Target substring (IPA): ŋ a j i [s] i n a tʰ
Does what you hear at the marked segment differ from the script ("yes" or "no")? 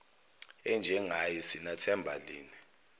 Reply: no